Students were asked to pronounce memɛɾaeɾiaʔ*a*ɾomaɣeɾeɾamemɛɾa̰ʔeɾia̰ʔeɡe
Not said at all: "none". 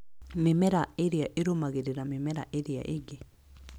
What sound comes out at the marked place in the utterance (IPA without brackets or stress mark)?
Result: e